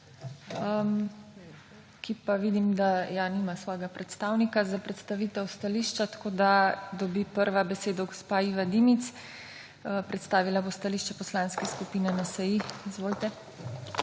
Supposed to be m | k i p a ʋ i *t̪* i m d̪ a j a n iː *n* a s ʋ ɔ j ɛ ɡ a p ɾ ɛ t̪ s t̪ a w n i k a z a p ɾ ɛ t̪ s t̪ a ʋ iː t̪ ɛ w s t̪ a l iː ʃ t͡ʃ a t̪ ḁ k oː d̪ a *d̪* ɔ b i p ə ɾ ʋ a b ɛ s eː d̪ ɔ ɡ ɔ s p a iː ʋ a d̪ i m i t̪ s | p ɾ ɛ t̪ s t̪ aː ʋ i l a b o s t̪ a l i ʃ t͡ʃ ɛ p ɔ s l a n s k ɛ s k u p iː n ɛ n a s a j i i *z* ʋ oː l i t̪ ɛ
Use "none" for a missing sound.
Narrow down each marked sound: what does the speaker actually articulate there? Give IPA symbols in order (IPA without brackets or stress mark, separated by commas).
d̪, m, d̪, z